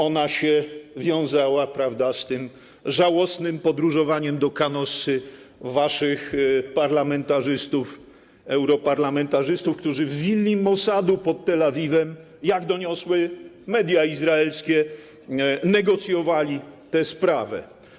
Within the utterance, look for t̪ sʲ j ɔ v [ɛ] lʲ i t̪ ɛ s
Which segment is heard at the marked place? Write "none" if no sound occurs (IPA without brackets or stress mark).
a